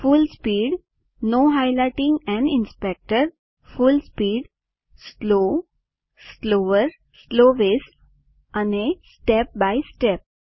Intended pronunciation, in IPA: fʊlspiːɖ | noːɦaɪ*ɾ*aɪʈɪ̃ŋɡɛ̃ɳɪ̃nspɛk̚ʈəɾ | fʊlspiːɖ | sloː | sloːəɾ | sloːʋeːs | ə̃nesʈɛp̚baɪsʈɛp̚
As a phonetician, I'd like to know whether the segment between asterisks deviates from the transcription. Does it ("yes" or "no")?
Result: yes